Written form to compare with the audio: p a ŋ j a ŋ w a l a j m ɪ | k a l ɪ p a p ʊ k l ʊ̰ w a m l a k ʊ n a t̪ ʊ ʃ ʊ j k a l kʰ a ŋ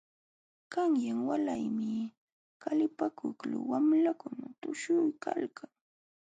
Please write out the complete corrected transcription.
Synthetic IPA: k a ŋ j a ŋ w a l a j m ɪ | k a l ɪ p a k ʊ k l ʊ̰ w a m l a k ʊ n a t̪ ʊ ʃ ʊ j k a l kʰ a ŋ